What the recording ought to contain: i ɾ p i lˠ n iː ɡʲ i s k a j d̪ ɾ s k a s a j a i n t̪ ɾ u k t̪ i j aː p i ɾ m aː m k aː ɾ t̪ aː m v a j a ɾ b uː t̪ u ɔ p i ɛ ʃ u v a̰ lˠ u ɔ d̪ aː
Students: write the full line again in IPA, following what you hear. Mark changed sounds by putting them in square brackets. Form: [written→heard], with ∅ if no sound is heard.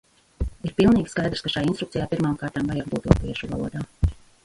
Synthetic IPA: i ɾ p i lˠ n iː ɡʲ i s k a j d̪ ɾ s k a [s→ʃ] a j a i n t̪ ɾ u k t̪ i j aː p i ɾ m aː m k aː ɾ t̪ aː m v a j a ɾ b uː t̪ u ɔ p i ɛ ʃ u v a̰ lˠ u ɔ d̪ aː